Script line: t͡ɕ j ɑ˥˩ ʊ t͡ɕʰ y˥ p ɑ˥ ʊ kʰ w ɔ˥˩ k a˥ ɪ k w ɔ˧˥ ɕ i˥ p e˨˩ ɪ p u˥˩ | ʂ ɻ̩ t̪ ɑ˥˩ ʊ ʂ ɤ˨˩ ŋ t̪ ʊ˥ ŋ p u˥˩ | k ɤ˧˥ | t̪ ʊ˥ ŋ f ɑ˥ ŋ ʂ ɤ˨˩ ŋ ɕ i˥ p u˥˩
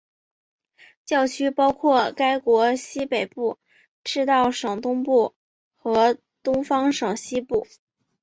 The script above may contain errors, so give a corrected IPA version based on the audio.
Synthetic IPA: t͡ɕ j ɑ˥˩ ʊ t͡ɕʰ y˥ p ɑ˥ ʊ kʰ w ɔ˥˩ k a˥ ɪ k w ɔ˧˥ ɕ i˥ p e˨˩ ɪ p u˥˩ | ʈ͡ʂ ɻ̩ t̪ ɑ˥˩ ʊ ʂ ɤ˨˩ ŋ t̪ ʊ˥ ŋ p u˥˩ | x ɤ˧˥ | t̪ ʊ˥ ŋ f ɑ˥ ŋ ʂ ɤ˨˩ ŋ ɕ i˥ p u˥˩